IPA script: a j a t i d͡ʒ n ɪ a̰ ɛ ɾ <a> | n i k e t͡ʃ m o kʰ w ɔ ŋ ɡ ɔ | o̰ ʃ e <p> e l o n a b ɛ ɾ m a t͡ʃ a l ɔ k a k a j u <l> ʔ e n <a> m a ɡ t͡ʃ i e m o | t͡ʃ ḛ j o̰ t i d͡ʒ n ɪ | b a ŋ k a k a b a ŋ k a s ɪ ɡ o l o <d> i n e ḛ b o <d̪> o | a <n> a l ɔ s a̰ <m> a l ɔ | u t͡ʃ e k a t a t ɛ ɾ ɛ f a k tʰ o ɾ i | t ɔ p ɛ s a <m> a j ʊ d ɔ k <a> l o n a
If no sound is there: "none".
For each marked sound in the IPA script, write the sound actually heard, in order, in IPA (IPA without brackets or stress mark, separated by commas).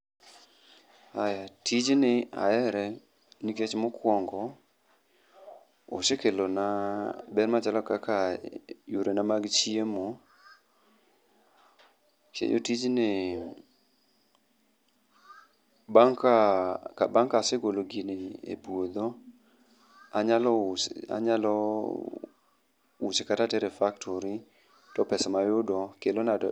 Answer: ɛ, k, ɾ, a, ɡ, d̪, ɲ, ɲ, m, e